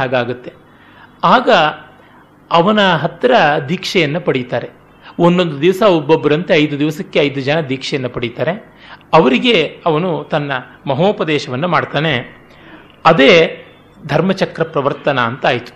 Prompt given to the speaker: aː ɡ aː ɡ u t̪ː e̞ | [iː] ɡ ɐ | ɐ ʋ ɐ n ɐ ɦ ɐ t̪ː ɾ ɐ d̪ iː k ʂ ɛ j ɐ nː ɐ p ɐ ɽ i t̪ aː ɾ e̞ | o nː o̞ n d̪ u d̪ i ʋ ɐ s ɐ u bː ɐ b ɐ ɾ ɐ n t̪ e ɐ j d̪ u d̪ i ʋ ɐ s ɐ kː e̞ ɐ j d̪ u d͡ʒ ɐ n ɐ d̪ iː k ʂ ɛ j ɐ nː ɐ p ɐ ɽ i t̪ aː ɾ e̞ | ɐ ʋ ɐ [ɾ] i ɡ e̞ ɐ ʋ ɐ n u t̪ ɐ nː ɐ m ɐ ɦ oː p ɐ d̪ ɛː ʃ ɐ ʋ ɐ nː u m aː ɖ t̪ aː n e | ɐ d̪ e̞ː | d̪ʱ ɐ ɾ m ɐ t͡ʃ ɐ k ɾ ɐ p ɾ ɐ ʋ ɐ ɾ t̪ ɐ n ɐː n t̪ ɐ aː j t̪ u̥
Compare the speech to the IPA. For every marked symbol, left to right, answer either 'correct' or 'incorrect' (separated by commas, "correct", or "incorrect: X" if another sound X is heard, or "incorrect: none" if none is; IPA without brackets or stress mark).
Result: incorrect: aː, correct